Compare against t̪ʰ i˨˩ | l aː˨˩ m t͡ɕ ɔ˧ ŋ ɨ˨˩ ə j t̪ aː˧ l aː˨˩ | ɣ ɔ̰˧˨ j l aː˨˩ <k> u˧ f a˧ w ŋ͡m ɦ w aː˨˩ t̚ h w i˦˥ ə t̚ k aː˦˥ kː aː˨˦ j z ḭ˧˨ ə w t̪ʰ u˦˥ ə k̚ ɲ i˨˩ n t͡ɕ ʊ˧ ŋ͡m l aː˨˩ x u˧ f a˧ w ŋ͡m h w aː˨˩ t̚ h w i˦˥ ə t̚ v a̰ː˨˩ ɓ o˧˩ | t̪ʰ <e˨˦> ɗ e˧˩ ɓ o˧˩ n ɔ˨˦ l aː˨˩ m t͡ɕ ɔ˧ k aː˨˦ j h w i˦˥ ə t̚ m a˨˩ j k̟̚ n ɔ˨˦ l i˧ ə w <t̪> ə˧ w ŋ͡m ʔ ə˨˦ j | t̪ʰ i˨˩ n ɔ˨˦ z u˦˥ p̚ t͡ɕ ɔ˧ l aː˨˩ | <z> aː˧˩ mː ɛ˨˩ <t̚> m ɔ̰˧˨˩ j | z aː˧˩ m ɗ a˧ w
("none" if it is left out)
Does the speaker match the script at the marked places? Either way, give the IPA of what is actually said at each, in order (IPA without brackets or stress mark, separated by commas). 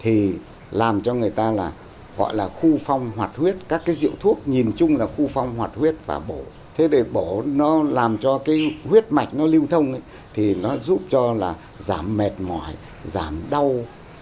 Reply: x, e˨˦, t̪ʰ, z, t̚